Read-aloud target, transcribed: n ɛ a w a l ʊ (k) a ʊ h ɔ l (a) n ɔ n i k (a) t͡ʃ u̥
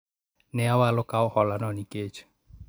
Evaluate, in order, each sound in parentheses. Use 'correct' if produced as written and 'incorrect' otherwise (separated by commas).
correct, correct, incorrect